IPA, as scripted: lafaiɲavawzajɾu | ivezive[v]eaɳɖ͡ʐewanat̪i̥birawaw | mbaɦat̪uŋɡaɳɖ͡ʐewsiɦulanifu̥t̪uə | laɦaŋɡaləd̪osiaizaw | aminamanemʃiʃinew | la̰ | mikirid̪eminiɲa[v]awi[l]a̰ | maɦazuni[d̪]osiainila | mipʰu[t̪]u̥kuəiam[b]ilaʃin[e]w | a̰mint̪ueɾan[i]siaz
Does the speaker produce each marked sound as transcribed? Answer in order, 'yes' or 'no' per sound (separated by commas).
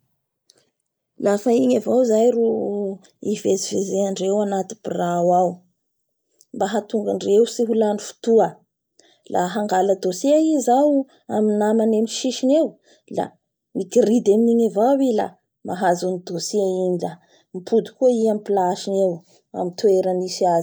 no, yes, yes, yes, no, no, yes, yes